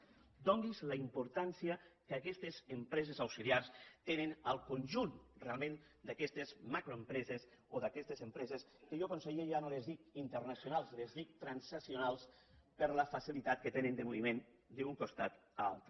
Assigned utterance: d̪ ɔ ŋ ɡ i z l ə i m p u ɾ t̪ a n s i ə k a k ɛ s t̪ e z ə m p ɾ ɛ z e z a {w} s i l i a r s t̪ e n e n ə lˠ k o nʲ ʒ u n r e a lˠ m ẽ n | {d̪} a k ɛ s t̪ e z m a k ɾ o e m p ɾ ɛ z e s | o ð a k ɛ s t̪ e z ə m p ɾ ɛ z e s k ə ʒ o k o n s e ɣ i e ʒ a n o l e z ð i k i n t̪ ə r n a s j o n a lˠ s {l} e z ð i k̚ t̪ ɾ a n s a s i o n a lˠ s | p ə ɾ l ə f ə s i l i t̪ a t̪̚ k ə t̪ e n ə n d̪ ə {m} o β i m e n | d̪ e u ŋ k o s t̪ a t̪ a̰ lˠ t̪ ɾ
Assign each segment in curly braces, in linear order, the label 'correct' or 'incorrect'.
correct, correct, correct, correct

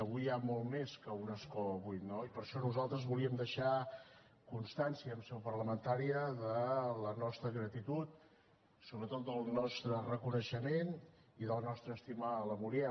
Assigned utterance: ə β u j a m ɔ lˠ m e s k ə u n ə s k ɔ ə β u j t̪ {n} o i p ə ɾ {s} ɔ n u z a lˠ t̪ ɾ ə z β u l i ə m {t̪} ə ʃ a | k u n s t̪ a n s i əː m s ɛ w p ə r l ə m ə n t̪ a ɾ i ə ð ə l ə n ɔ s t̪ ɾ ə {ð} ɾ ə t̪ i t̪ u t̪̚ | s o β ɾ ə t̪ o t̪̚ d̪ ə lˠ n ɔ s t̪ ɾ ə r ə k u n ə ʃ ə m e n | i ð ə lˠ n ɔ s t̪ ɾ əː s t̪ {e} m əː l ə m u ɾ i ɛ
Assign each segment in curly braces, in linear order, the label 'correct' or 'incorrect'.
correct, incorrect: ʃ, incorrect: d̪, incorrect: ɣ, incorrect: i

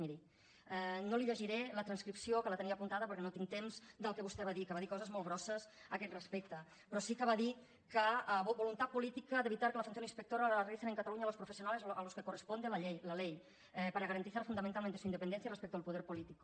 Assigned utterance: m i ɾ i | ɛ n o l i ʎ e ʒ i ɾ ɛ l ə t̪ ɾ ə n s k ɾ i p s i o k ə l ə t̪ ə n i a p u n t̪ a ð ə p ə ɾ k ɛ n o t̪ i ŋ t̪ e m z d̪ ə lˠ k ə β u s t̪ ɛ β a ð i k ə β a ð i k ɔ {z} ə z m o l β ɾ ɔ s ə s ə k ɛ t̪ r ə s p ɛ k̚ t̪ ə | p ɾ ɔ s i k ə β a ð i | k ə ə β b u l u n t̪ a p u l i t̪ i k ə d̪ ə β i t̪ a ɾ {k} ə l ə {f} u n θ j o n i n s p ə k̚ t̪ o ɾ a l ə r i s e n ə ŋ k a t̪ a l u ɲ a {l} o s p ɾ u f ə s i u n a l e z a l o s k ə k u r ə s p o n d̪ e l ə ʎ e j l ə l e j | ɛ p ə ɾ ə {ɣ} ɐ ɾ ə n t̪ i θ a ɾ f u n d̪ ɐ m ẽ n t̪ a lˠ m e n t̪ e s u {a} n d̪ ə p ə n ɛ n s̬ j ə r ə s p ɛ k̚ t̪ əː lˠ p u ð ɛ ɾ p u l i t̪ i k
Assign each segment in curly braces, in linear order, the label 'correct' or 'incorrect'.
correct, correct, correct, correct, correct, incorrect: i

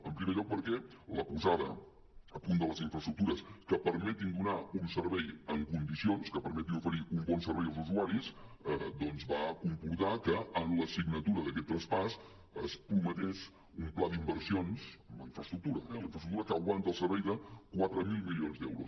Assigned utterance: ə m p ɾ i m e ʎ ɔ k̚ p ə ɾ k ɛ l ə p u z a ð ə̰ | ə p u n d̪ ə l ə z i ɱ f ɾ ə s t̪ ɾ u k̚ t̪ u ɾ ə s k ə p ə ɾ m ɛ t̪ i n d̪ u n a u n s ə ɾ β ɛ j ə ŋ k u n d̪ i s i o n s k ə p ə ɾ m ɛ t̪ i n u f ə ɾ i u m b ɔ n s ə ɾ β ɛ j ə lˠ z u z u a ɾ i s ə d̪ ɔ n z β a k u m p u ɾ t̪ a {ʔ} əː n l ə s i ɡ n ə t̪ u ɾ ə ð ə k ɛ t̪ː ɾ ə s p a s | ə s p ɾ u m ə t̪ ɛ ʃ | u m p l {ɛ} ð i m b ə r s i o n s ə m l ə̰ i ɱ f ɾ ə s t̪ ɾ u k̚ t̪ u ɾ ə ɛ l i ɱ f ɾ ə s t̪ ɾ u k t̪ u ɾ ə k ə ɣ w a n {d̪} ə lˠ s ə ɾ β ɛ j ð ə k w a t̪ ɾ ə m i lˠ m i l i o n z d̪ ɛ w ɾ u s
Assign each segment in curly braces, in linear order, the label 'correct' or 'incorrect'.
incorrect: k, incorrect: a, incorrect: t̪

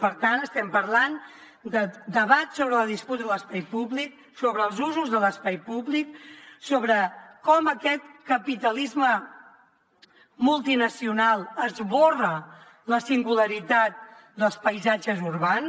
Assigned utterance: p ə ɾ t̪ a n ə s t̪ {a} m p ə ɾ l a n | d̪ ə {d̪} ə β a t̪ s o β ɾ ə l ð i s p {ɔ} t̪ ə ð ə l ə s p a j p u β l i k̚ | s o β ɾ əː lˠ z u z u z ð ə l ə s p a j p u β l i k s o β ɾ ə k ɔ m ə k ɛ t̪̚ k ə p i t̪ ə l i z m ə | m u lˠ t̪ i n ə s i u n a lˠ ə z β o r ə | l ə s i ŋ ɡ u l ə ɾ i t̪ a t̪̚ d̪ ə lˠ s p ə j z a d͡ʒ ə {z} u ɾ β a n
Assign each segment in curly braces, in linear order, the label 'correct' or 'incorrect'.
incorrect: ɛ, correct, incorrect: u, correct

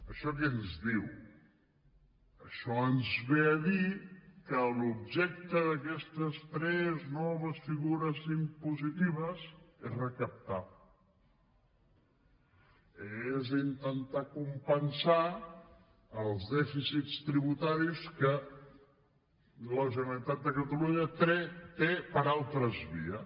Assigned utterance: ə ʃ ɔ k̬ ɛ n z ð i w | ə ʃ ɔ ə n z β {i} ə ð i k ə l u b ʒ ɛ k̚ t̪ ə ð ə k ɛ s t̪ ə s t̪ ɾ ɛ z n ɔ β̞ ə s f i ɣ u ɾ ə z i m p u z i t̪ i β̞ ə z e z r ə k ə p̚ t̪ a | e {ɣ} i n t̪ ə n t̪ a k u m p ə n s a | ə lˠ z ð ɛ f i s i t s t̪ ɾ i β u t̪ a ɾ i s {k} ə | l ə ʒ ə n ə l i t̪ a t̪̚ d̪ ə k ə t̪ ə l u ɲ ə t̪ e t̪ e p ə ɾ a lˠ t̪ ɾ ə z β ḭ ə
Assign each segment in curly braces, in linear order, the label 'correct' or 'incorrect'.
incorrect: e, incorrect: z, correct

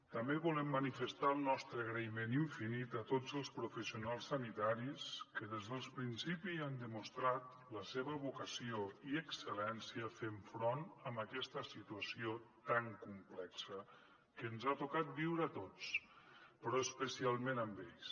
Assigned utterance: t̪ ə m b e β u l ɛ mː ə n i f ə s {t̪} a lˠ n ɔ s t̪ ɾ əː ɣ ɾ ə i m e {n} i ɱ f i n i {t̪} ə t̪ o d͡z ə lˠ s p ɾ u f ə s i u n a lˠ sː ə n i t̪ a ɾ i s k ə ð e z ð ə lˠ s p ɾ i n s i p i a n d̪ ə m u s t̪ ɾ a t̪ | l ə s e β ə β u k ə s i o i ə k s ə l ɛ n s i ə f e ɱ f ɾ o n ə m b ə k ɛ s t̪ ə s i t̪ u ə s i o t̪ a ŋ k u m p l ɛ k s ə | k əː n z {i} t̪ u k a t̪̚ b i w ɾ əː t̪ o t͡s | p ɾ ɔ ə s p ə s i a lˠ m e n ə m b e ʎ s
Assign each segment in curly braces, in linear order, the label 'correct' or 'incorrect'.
correct, correct, correct, incorrect: a

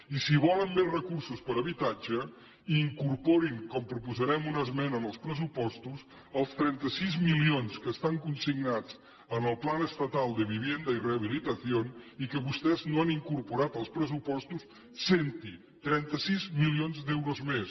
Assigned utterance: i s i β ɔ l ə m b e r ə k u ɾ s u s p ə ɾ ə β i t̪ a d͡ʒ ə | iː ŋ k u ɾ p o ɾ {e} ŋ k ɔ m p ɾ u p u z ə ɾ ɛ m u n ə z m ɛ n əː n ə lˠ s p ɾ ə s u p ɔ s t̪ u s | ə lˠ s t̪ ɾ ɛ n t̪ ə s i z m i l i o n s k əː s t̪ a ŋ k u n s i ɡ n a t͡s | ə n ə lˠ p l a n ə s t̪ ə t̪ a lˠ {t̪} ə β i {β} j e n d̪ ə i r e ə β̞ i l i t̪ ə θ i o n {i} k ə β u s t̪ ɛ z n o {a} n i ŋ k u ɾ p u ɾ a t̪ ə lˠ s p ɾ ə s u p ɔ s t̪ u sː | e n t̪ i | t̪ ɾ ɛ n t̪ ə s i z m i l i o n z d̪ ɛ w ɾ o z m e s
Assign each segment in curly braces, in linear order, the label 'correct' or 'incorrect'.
incorrect: i, incorrect: d̪, correct, correct, correct

